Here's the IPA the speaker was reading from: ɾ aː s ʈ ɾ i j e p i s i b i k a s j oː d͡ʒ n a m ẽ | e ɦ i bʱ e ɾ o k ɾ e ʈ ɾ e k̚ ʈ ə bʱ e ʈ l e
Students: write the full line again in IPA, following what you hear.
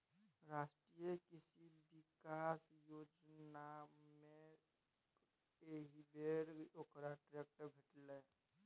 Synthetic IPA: ɾ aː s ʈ ɾ i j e k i s i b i k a s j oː d͡ʒ n a m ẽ | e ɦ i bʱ e ɾ o k ɾ a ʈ ɾ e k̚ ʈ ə bʱ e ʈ l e